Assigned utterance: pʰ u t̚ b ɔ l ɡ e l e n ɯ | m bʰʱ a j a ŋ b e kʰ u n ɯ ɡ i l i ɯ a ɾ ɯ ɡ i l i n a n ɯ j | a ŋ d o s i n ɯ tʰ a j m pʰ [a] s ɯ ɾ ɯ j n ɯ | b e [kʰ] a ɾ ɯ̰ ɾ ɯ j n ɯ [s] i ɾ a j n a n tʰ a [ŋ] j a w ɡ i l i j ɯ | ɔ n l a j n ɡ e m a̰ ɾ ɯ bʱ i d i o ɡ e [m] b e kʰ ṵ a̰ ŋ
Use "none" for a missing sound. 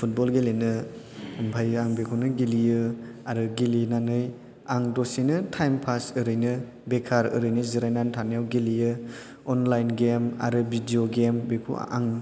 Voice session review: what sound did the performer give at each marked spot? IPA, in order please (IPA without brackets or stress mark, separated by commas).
a, kʰ, z, n, m